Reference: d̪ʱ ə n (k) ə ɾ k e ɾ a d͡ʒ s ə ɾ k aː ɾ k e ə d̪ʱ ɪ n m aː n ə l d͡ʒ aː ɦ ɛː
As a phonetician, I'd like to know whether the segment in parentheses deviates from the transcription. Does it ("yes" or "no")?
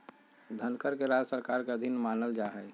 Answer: no